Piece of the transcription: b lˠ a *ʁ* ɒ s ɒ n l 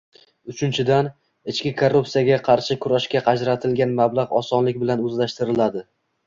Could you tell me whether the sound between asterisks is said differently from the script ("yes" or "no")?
no